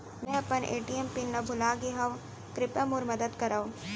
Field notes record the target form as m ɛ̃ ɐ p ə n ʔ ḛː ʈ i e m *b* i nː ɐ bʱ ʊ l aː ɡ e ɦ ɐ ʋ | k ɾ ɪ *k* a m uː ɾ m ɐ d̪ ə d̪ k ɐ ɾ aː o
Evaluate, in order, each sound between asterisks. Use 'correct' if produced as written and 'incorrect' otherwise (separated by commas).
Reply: incorrect, incorrect